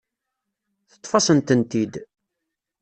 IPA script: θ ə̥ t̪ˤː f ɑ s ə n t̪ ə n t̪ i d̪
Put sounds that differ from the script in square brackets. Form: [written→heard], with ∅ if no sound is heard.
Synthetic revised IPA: θ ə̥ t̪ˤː f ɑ s ə n t̪ ə n t̪ i d̪

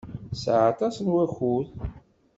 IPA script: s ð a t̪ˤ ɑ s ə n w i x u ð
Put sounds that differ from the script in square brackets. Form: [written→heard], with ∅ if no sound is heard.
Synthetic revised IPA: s [ð→ʕ] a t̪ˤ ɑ s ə n w [i→æ] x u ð

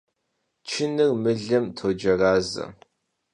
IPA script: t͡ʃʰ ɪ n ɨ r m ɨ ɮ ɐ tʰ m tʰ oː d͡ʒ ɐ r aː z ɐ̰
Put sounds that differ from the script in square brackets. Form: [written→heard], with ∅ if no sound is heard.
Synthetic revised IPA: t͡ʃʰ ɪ n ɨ r m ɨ ɮ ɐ [tʰ→∅] m tʰ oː d͡ʒ ɐ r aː z ɐ̰

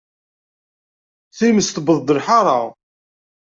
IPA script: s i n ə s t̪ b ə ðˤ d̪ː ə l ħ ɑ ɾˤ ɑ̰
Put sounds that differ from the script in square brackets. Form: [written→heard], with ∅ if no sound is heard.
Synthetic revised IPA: [s→θ] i [n→m] ə s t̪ b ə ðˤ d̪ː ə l ħ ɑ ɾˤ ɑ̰

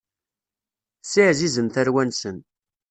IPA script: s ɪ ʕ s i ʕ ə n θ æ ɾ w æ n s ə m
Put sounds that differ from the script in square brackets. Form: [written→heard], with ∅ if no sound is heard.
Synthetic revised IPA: s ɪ ʕ [s→z] i [ʕ→z] ə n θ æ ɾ w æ n s ə [m→n]

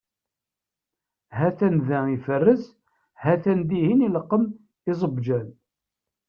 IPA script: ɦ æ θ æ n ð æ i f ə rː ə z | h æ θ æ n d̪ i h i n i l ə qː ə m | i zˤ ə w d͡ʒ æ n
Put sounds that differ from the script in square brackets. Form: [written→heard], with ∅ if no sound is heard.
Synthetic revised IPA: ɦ æ θ æ n ð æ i f ə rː ə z | h æ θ æ n d̪ i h i n i l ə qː ə m | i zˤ ə [w→b] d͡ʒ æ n

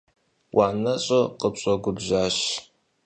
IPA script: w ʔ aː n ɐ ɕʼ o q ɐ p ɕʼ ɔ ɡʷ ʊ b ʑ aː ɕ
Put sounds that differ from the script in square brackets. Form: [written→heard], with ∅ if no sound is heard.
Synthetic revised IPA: w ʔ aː n ɐ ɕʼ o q [ɐ→ə] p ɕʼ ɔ ɡʷ ʊ b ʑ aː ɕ

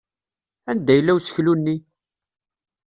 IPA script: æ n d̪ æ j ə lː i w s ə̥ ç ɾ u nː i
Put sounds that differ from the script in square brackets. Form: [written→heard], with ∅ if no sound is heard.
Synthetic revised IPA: æ n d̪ æ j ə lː [i→æ] w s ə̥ ç [ɾ→l] u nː i

